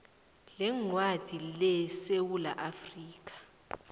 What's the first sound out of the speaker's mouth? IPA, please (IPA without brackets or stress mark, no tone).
l